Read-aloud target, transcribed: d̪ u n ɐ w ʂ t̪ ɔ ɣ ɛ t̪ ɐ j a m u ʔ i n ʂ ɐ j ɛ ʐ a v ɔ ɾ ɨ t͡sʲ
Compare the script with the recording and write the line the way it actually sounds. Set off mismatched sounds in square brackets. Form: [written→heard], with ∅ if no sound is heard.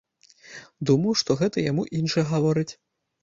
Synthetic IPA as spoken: d̪ u [n→m] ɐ w ʂ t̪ ɔ ɣ ɛ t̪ ɐ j a m u ʔ i n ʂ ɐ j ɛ [ʐ→ɣ] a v ɔ ɾ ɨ t͡sʲ